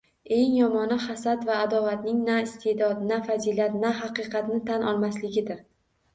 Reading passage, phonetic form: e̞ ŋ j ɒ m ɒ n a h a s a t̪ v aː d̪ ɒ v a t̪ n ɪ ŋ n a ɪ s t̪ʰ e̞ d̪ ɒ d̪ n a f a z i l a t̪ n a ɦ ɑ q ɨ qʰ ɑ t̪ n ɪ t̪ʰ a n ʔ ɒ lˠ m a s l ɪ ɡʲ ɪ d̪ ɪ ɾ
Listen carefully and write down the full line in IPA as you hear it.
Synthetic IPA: e̞ ŋ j ɒ m ɒ n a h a s a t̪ v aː d̪ ɒ v a t̪ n ɪ ŋ n a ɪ s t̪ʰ e̞ d̪ ɒ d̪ n a f a z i l a t̪ n a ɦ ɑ q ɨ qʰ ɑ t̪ n ɪ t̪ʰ a n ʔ ɒ lˠ m a s l ɪ ɡʲ ɪ d̪ ɪ ɾ